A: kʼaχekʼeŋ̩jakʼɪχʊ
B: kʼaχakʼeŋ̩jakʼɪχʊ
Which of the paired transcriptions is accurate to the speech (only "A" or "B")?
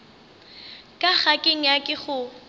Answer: B